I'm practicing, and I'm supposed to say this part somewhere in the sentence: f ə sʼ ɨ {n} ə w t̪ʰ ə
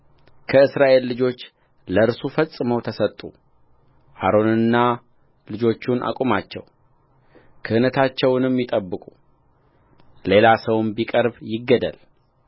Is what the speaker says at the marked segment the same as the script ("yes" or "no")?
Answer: no